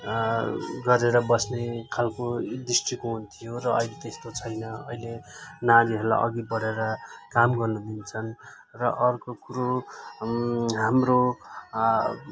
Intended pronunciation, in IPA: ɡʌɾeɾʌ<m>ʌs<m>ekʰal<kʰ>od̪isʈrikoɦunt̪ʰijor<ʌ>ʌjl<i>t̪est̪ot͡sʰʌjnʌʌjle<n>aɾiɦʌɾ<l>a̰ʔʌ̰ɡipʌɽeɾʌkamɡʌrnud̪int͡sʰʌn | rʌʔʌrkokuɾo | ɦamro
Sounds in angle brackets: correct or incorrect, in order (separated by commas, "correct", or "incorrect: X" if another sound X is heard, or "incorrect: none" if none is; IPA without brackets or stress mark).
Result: incorrect: b, incorrect: n, incorrect: k, correct, incorrect: e, correct, correct